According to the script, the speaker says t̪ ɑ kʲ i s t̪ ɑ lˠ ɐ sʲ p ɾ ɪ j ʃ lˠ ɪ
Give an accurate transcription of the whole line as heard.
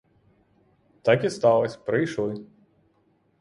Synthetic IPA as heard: t̪ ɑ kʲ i s t̪ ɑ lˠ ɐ sʲ p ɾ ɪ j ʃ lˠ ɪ